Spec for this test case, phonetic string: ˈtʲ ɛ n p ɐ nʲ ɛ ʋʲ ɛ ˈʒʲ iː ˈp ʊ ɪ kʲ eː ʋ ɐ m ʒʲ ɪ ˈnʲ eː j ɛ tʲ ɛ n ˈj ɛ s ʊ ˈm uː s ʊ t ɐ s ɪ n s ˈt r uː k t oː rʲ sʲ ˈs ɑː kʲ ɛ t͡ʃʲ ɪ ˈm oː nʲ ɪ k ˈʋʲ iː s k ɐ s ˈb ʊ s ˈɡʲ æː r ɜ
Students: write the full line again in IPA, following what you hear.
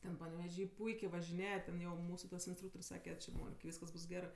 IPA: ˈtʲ ɛ n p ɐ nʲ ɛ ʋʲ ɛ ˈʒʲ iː ˈp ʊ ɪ kʲ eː ʋ ɐ ʒʲ ɪ ˈnʲ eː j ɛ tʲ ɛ n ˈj ɛ ʊ ˈm uː s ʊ t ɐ s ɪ n s ˈt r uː k t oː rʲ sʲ ˈs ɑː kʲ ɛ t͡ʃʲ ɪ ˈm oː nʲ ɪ k ˈʋʲ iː s k ɐ s ˈb ʊ s ˈɡʲ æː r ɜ